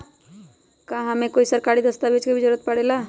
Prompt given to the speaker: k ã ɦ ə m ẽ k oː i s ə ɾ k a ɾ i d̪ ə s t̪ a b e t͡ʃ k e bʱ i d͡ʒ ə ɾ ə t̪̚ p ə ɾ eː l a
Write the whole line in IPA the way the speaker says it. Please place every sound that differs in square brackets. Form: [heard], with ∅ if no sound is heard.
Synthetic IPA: k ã ɦ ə m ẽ k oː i s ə ɾ k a ɾ i d̪ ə s t̪ a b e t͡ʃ k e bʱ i d͡ʒ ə ɾ ə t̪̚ p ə [ɽ] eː l a